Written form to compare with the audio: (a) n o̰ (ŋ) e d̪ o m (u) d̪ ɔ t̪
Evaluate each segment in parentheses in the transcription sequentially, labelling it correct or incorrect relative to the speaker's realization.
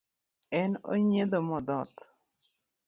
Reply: incorrect, incorrect, incorrect

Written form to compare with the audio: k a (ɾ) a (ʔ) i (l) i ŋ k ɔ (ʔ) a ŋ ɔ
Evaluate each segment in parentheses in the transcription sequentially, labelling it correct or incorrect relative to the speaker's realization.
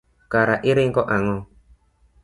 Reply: correct, correct, incorrect, correct

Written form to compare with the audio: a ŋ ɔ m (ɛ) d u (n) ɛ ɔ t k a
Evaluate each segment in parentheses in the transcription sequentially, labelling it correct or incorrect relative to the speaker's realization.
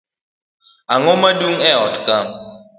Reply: incorrect, incorrect

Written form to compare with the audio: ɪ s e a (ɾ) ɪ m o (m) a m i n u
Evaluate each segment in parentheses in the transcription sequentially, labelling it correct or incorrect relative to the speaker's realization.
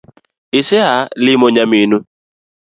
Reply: incorrect, incorrect

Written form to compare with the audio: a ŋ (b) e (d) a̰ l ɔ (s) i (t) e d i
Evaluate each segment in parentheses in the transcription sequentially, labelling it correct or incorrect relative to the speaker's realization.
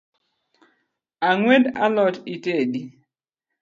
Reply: incorrect, correct, incorrect, correct

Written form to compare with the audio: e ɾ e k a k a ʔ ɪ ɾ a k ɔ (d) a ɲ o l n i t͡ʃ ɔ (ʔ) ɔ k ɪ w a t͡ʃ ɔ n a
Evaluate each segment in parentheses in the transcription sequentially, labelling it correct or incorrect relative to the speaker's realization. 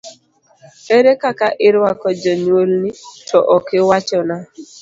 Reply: incorrect, correct

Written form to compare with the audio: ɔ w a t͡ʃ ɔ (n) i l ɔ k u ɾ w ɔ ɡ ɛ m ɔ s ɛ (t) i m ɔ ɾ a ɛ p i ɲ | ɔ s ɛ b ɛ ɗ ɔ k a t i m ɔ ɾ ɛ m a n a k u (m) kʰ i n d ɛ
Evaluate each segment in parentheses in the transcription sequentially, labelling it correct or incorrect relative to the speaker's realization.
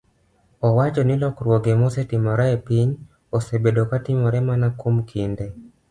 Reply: correct, correct, correct

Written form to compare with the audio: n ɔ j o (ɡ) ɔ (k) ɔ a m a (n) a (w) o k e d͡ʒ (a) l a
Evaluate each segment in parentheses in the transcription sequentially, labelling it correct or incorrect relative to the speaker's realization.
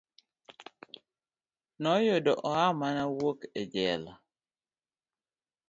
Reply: incorrect, incorrect, correct, correct, incorrect

